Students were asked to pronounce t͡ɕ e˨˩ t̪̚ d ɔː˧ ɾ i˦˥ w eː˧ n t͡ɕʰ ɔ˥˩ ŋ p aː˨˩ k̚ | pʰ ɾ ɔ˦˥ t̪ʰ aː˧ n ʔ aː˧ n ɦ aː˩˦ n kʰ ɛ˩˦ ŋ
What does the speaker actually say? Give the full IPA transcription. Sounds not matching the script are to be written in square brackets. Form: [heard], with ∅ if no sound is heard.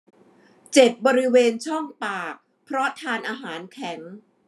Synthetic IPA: t͡ɕ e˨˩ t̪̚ [b] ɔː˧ ɾ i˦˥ w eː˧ n t͡ɕʰ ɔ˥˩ ŋ p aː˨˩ k̚ | pʰ ɾ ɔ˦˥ t̪ʰ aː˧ n ʔ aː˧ [∅] ɦ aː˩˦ n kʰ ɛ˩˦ ŋ

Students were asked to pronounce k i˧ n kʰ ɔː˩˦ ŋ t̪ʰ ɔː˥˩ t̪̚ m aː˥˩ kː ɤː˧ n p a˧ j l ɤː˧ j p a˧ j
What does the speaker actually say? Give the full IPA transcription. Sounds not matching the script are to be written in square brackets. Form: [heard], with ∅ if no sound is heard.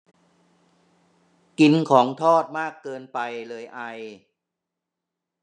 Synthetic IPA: k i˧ n kʰ ɔː˩˦ ŋ t̪ʰ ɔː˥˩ t̪̚ m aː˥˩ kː ɤː˧ n p a˧ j l ɤː˧ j [ʔ] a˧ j

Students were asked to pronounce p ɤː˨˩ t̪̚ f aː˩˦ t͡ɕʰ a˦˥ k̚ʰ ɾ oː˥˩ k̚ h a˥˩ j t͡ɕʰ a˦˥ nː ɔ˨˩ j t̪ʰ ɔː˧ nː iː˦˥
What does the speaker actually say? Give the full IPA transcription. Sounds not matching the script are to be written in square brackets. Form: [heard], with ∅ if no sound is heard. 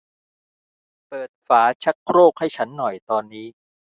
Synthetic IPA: p ɤː˨˩ t̪̚ f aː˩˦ t͡ɕʰ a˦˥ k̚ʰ ɾ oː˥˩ k̚ h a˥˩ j t͡ɕʰ a˦˥ nː ɔ˨˩ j [t̪] ɔː˧ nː iː˦˥

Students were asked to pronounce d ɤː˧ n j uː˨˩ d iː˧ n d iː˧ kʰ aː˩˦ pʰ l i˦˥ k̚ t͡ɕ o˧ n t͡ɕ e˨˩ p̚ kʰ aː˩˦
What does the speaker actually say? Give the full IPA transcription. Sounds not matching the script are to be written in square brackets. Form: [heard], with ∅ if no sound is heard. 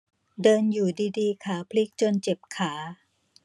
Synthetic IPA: d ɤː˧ n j uː˨˩ d iː˧ [∅] d iː˧ kʰ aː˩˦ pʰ l i˦˥ k̚ t͡ɕ o˧ n t͡ɕ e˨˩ p̚ kʰ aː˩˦

